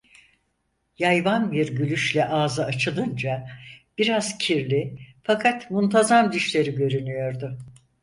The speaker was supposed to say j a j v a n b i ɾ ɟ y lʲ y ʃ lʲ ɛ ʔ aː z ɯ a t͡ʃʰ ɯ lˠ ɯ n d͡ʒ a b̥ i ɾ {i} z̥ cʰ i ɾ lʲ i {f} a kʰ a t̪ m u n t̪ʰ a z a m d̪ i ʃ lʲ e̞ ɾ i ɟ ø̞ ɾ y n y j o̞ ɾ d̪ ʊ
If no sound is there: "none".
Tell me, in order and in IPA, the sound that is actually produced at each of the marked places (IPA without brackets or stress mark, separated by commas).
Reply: a, f